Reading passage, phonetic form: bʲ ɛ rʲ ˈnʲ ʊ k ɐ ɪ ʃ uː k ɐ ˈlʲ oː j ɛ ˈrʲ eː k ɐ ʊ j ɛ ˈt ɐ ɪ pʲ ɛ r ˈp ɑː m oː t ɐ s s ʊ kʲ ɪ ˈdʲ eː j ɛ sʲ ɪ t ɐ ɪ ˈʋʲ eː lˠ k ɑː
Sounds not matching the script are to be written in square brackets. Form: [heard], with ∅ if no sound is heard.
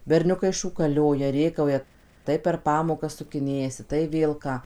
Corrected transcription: bʲ ɛ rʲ ˈnʲ ʊ k ɐ ɪ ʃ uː k ɐ ˈlʲ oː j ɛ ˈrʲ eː k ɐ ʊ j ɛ ˈt ɐ ɪ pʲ ɛ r ˈp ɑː m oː [k] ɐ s s ʊ kʲ ɪ [ˈnʲ] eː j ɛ sʲ ɪ t ɐ ɪ ˈʋʲ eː lˠ k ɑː

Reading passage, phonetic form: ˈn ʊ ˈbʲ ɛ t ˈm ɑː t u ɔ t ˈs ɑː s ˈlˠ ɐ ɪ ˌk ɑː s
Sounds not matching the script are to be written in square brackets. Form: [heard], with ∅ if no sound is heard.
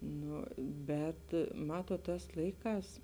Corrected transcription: ˈn ʊ ˈbʲ ɛ t ˈm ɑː t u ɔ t [ˈt] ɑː s ˈlˠ ɐ ɪ ˌk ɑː s

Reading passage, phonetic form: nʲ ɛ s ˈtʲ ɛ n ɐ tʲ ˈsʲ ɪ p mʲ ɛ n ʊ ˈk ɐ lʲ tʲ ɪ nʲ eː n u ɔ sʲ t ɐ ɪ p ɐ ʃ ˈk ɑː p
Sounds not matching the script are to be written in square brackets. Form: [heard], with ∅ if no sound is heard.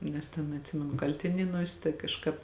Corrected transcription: nʲ ɛ s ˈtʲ ɛ n ɐ tʲ ˈsʲ ɪ [∅] mʲ ɛ n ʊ ˈk ɐ lʲ tʲ ɪ nʲ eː n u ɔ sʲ t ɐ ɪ [k] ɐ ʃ ˈk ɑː p

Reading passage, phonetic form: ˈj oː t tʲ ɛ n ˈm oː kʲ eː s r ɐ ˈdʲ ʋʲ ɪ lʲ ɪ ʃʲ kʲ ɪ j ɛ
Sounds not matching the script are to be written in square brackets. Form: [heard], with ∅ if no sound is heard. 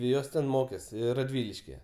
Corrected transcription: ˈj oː [s] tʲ ɛ n ˈm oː kʲ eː s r ɐ ˈdʲ ʋʲ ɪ lʲ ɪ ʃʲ kʲ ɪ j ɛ

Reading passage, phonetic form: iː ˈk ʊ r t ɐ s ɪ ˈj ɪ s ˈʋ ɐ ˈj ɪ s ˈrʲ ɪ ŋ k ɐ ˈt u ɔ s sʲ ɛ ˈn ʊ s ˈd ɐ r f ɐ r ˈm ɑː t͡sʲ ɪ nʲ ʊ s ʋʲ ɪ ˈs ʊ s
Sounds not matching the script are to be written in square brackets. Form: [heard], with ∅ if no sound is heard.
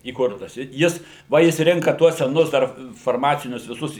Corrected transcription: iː ˈk ʊ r t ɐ s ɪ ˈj ɪ s ˈʋ ɐ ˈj ɪ s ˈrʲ ɪ ŋ k ɐ ˈt u ɔ s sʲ ɛ ˈn ʊ s ˈd ɐ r f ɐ r ˈm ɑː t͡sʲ ɪ nʲ ʊ s ʋʲ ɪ ˈs ʊ s

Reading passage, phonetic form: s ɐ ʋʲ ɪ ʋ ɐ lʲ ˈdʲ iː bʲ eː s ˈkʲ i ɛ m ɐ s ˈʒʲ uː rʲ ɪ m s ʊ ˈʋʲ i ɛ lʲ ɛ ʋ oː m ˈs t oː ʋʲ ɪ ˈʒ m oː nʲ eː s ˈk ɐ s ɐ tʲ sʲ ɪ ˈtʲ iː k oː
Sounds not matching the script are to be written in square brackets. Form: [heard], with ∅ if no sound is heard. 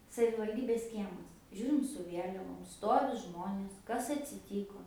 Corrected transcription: s ɐ ʋʲ ɪ ʋ ɐ lʲ ˈdʲ iː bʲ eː s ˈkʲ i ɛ m ɐ s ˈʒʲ uː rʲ ɪ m s ʊ ˈʋʲ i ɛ lʲ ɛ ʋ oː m ˈs t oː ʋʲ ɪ ˈʒ m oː nʲ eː s ˈk ɐ s ɐ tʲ sʲ ɪ ˈtʲ iː k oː

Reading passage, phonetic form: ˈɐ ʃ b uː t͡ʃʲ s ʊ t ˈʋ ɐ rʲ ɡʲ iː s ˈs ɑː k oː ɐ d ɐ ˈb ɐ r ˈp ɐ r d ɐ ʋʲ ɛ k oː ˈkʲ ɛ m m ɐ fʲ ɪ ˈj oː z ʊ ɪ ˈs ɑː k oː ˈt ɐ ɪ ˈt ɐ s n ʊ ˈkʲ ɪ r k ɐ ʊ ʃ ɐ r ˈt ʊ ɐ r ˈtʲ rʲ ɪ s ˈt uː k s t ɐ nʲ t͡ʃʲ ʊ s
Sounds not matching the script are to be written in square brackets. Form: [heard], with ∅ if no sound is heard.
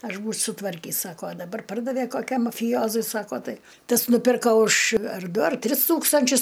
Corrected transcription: ˈɐ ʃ b uː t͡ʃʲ s ʊ t ˈʋ ɐ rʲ [kʲ] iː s ˈs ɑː k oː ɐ d ɐ ˈb ɐ r ˈp ɐ r d ɐ ʋʲ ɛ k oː ˈkʲ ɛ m m ɐ fʲ ɪ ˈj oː z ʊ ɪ ˈs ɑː k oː ˈt ɐ ɪ ˈt ɐ s n ʊ [ˈpʲ] ɪ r k ɐ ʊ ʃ ɐ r [ˈd] ʊ ɐ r ˈtʲ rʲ ɪ s ˈt uː k s t ɐ nʲ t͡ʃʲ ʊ s

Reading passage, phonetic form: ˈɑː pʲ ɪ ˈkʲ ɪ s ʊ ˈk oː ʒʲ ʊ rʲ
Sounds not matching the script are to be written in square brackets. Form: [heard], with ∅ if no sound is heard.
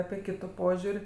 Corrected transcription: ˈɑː pʲ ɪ ˈkʲ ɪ [t] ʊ [ˈp] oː ʒʲ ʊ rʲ

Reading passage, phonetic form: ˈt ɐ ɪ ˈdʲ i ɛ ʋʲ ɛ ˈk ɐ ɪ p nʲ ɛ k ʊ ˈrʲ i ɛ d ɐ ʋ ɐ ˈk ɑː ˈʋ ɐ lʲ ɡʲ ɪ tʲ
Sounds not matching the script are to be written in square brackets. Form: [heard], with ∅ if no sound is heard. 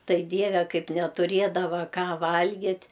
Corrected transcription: ˈt ɐ ɪ ˈdʲ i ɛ ʋʲ ɛ ˈk ɐ ɪ p nʲ ɛ [t] ʊ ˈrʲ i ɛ d ɐ ʋ ɐ ˈk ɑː ˈʋ ɐ lʲ ɡʲ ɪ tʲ

